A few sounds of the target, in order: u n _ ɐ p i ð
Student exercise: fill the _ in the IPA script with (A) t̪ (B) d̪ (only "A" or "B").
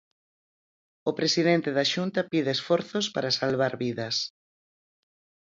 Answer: A